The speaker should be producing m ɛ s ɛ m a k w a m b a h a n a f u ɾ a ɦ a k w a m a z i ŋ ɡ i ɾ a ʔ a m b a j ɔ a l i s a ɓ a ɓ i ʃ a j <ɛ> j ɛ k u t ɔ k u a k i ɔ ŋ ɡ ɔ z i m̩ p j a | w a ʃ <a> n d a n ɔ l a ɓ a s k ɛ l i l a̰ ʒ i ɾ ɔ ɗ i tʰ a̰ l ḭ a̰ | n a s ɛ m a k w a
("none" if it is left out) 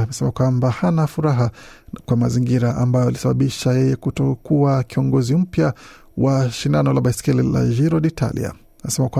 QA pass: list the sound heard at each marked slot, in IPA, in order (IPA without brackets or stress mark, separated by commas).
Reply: ɛ, i